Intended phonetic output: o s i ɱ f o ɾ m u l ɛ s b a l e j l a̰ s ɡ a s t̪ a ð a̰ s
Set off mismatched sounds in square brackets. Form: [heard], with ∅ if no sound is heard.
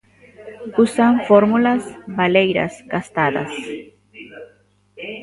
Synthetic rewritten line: [u] s [a] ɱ f o ɾ m u l [a] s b a l e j [ɾ] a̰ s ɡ a s t̪ a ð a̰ s